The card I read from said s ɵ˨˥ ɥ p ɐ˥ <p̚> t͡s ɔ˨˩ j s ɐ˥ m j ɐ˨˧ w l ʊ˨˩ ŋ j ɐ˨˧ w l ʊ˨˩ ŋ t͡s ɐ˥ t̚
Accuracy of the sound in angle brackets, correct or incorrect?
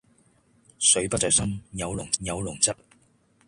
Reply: incorrect